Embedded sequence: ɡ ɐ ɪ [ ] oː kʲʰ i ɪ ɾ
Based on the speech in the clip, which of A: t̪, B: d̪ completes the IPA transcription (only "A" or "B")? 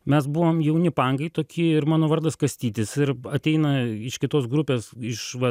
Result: A